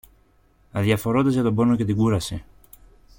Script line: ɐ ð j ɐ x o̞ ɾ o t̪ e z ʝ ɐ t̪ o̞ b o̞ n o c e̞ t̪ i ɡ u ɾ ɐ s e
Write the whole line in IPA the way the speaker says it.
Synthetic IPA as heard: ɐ ð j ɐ f o̞ ɾ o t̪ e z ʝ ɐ t̪ o̞ b o̞ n o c e̞ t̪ i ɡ u ɾ ɐ s e